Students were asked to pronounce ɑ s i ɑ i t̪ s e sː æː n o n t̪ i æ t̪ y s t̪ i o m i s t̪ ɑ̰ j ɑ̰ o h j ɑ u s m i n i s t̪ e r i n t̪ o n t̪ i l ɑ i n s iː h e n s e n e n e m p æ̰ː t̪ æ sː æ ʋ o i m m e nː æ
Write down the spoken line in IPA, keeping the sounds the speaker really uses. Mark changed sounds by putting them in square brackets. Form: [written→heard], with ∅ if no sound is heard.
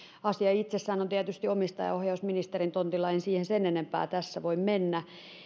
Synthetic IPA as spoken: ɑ s i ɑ i t̪ s e sː æː n o n t̪ i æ t̪ y s t̪ i o m i s t̪ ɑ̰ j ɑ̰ o h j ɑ u s m i n i s t̪ e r i n t̪ o n t̪ i l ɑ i n s iː h e n s e n e n e m p æ̰ː t̪ æ sː æ ʋ o i m m e nː æ